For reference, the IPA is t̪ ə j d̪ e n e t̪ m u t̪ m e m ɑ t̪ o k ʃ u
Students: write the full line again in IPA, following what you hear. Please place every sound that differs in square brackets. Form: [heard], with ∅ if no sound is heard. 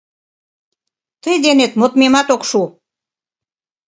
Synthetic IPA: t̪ ə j d̪ e n e t̪ m [o] t̪ m e m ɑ t̪ o k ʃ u